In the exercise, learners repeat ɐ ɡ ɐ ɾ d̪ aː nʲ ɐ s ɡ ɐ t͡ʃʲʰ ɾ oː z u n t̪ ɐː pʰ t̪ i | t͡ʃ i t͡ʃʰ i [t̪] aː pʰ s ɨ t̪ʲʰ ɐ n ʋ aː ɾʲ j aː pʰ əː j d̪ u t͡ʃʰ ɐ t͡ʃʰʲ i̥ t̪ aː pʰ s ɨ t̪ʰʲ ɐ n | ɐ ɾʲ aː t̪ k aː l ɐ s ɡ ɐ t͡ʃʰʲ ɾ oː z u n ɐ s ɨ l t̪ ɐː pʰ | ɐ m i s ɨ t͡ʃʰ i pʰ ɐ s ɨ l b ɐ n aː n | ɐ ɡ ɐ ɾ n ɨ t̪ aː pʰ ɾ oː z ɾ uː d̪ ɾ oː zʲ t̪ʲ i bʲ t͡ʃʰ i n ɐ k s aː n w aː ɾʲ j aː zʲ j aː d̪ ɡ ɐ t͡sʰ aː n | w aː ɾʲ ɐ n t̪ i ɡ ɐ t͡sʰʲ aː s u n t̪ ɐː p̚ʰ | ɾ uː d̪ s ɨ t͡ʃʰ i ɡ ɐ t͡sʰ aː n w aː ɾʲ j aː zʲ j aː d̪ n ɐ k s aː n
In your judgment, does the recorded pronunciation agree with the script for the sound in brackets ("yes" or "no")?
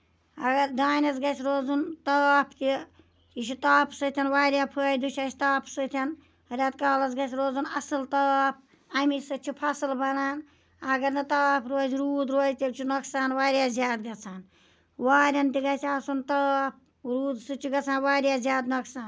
yes